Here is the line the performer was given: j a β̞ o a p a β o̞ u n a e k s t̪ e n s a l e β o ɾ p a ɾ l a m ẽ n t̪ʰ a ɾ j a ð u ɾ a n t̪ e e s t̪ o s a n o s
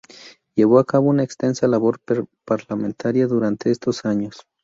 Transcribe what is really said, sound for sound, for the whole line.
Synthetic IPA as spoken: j e β̞ o a k a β o̞ u n a e k s t̪ e n s a l a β o ɾ p a ɾ l a m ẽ n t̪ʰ a ɾ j a ð u ɾ a n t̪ e e s t̪ o s a ɲ o s